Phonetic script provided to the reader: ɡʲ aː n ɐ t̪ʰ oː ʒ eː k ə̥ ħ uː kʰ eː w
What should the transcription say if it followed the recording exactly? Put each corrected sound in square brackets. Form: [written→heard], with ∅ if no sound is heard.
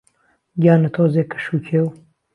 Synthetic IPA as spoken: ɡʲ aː n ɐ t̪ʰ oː [ʒ→z] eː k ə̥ [ħ→ʃ] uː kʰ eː w

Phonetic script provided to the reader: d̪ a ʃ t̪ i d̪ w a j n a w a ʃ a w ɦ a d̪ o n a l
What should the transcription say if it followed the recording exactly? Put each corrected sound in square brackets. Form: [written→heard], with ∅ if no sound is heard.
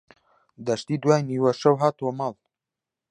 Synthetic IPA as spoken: d̪ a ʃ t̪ i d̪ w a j n [a→i] w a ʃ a w ɦ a [d̪→t̪] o [n→m] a l

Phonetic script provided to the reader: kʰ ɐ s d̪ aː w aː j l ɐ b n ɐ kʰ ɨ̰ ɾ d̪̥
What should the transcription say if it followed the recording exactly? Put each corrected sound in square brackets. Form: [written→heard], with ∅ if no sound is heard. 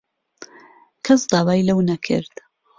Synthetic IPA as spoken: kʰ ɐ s d̪ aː w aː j l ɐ [b→w] n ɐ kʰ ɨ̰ ɾ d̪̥

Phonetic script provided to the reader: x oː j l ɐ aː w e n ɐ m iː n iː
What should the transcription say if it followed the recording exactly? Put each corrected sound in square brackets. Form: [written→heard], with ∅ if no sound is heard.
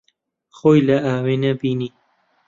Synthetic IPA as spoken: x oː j l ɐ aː w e n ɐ [m→b] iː n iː

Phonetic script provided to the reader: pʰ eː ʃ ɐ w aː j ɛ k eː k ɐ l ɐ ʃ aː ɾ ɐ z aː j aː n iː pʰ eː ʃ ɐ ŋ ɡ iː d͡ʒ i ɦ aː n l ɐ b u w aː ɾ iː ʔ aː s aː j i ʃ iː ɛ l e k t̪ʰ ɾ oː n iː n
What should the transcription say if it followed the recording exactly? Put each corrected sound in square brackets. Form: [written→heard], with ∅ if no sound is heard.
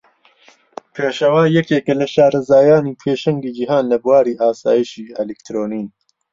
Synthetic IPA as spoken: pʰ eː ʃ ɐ w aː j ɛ k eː k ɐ l ɐ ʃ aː ɾ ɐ z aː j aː n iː pʰ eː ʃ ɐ ŋ ɡ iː d͡ʒ i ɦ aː n l ɐ b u w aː ɾ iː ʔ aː s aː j i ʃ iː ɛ l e k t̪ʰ ɾ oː n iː n

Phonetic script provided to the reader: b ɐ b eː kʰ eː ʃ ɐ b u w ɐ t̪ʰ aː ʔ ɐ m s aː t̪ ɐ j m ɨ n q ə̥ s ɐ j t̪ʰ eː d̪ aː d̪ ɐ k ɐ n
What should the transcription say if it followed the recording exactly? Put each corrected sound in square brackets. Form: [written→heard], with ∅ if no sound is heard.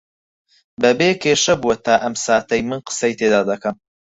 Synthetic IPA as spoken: b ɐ b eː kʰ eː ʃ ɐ b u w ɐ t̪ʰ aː ʔ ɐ m s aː t̪ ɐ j m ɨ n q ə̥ s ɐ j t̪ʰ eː d̪ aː d̪ ɐ k ɐ [n→m]

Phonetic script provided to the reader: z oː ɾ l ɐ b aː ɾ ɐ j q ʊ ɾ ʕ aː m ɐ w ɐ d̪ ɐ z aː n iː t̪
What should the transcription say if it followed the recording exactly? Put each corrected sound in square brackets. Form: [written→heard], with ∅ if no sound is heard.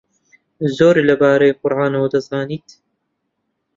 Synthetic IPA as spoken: z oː ɾ l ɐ b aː ɾ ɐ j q ʊ ɾ ʕ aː [m→n] ɐ w ɐ d̪ ɐ z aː n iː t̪

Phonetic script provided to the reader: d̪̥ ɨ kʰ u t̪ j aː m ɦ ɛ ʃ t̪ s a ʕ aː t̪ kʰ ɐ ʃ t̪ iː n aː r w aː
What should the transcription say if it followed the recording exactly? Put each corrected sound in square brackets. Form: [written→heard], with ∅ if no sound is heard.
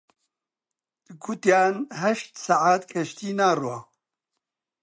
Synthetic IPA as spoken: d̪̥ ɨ kʰ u t̪ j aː [m→n] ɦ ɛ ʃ t̪ s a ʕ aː t̪ kʰ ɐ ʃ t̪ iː n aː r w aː

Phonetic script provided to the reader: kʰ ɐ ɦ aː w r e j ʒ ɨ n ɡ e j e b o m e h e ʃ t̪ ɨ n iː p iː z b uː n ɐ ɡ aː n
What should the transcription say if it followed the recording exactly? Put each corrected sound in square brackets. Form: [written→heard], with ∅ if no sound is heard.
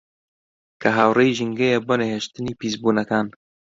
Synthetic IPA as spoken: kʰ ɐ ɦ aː w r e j ʒ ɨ [n→ŋ] ɡ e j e b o [m→n] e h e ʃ t̪ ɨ n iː p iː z b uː n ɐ [ɡ→k] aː n

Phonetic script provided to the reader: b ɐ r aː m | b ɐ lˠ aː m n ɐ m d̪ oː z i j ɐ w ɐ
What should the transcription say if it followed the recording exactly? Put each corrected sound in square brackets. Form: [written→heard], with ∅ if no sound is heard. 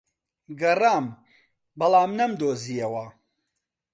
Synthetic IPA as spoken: [b→ɡ] ɐ r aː m | b ɐ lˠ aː m n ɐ m d̪ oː z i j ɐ w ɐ

